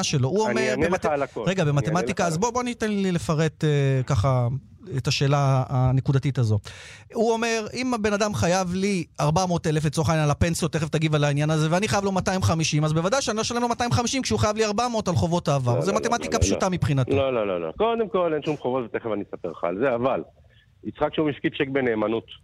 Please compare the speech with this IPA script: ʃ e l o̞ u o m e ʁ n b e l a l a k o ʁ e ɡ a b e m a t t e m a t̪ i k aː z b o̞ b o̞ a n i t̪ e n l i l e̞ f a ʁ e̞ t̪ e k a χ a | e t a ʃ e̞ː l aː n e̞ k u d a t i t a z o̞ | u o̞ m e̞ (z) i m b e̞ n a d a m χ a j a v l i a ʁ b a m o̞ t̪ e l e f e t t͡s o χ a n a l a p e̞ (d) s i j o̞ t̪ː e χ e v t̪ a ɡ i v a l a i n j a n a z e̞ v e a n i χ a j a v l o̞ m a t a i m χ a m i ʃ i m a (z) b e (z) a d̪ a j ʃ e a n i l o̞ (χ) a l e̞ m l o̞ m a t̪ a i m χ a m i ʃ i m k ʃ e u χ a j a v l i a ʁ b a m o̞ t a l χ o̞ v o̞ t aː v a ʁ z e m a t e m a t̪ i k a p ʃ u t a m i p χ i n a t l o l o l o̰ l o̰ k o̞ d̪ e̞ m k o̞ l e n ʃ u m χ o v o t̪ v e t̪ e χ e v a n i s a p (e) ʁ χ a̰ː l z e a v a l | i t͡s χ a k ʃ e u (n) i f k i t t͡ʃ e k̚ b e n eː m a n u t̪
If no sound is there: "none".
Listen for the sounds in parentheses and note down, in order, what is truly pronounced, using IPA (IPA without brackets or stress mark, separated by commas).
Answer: ʁ, n, z, v, ʃ, e, m